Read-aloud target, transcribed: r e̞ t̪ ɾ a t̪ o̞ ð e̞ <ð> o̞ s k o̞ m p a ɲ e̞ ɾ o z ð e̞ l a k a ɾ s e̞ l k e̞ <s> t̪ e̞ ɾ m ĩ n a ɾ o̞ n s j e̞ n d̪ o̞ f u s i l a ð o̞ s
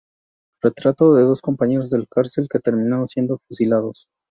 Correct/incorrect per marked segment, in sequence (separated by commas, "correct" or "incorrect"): correct, incorrect